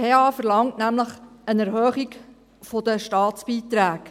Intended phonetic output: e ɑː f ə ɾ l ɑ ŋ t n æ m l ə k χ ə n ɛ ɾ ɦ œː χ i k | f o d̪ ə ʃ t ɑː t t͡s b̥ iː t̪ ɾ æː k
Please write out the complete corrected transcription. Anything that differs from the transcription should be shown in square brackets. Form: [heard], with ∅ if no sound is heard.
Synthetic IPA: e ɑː f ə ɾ l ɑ ŋ t n æ m l ə [∅] χ ə n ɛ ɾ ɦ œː χ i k | f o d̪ ə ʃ t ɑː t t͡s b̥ iː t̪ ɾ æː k

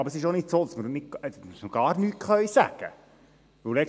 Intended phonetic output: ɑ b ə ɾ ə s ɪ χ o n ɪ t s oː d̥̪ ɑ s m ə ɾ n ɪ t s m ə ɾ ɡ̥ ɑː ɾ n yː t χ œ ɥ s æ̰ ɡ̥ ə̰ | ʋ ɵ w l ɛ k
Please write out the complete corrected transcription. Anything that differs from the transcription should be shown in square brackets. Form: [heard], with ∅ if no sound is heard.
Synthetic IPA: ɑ b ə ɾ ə s ɪ [ʃ] o n ɪ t s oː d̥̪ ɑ s m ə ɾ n ɪ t s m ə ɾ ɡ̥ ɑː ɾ n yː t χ œ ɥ s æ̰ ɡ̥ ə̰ | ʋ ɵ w l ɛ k

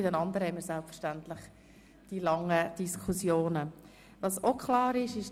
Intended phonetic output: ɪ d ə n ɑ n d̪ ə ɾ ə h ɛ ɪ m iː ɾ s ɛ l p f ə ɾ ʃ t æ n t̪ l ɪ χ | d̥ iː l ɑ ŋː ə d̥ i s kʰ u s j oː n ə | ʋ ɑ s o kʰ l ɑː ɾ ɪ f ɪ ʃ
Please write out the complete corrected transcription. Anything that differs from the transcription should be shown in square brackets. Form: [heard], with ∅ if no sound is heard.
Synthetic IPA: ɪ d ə n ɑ n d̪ ə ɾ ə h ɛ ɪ m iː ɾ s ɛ l p f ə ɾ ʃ t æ n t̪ l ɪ χ | d̥ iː l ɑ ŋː ə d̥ i s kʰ u s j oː n ə | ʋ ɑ s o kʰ l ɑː ɾ ɪ [ʃ] ɪ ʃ

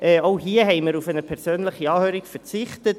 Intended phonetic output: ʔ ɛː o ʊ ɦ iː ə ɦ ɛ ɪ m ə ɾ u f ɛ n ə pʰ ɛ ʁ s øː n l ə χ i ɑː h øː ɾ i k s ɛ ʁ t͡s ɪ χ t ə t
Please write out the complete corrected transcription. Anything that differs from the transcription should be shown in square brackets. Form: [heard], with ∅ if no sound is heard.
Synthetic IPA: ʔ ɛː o ʊ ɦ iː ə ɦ ɛ ɪ m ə ɾ u f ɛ n ə pʰ ɛ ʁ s øː n l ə χ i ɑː h øː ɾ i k [f] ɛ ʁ t͡s ɪ χ t ə t

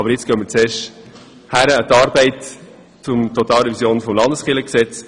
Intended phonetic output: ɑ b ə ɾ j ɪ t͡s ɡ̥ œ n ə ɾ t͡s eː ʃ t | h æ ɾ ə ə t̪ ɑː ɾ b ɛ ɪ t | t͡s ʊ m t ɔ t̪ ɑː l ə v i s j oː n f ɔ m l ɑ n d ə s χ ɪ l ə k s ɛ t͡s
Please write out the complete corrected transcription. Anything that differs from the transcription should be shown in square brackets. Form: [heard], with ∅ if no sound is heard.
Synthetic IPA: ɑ b ə ɾ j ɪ t͡s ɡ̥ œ [m] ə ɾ t͡s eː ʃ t | h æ ɾ ə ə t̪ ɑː ɾ b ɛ ɪ t | t͡s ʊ m t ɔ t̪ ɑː l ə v i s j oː n f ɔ m l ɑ n d ə s χ ɪ l ə k s ɛ t͡s

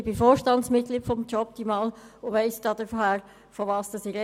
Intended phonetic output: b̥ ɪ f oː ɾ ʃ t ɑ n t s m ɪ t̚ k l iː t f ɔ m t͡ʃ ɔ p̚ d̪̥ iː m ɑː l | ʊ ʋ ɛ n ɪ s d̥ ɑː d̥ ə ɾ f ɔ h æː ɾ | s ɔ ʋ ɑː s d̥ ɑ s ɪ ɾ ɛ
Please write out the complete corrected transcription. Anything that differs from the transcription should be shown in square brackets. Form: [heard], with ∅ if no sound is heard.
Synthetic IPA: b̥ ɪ f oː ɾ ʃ t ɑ n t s m ɪ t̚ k l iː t f ɔ m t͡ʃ ɔ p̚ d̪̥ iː m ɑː l | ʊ ʋ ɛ [∅] ɪ s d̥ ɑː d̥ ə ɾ f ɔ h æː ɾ | [f] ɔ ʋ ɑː s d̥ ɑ s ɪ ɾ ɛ

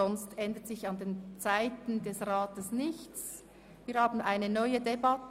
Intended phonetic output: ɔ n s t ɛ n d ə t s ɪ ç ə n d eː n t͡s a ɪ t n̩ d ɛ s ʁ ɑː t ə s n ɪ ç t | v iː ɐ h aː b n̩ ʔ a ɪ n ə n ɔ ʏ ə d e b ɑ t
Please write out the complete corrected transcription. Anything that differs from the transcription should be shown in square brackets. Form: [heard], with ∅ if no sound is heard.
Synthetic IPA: ɔ n s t ɛ n d ə t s ɪ ç [ɑ] n d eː n t͡s a ɪ t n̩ d ɛ s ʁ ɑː t ə s n ɪ ç [t͡s] | v iː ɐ h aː b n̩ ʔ a ɪ n ə n ɔ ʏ ə d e b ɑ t

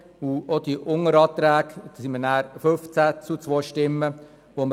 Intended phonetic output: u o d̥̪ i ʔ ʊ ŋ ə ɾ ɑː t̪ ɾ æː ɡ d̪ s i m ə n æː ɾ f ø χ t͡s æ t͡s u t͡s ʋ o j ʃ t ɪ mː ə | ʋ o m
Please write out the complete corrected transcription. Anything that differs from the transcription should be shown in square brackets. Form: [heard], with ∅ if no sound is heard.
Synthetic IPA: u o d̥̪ i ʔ ʊ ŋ ə ɾ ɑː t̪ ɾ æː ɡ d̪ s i m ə n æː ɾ f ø [f] t͡s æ t͡s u t͡s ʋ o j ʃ t ɪ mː ə | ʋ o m

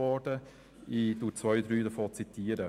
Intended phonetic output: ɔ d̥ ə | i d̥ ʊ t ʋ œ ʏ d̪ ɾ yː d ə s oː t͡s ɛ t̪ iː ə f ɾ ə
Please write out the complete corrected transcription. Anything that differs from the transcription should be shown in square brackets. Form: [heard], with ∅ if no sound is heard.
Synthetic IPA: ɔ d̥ ə | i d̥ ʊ [t͡s] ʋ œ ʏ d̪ ɾ yː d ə [f] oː t͡s [i] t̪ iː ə [∅] ɾ ə

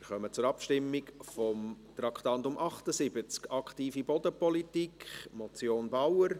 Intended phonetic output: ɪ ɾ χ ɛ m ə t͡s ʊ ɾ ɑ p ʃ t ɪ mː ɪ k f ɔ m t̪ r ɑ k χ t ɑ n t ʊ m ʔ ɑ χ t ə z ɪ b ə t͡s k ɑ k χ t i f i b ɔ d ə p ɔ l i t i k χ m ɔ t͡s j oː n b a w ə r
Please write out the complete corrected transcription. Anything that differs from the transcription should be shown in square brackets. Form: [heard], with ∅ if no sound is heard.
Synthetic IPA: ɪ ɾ χ [œ] m ə t͡s ʊ ɾ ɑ p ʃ t ɪ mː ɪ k f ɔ m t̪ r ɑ k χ t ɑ n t ʊ m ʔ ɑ χ t ə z ɪ b ə t͡s k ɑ k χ t [iː] f i b ɔ d ə p ɔ l i t i k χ m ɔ t͡s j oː n b a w ə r

